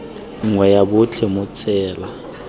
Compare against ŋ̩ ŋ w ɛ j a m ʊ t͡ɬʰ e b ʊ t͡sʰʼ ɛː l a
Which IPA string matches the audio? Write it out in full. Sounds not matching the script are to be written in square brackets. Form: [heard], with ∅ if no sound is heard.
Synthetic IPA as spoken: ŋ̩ ŋ w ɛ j a [b] ʊ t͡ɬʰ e [m] ʊ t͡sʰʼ ɛː l a